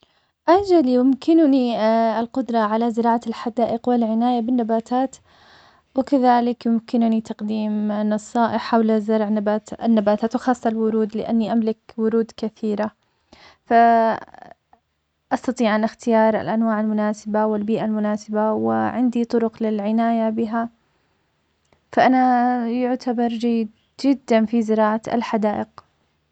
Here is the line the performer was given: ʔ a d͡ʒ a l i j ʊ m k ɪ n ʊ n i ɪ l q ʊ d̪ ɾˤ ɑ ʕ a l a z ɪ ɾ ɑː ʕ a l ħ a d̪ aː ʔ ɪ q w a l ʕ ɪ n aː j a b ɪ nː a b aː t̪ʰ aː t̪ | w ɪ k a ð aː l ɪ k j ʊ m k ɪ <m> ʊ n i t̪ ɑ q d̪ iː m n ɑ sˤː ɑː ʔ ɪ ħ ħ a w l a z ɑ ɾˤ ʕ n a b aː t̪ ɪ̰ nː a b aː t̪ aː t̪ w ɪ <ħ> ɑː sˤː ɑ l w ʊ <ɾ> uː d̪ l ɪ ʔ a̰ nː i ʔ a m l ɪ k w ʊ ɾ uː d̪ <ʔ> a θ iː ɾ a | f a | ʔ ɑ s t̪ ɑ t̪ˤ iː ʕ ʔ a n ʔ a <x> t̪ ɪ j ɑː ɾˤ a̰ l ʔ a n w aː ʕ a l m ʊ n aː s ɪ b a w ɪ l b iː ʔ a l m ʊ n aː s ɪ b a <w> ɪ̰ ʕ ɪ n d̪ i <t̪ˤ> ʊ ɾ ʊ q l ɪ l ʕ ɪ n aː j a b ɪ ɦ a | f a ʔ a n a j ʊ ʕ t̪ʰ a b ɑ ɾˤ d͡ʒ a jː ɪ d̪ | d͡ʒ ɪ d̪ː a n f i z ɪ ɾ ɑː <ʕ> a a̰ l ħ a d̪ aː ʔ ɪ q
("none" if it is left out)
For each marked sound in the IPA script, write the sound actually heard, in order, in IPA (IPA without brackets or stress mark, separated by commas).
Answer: n, x, ɾ, k, x, w, t̪ˤ, ʕ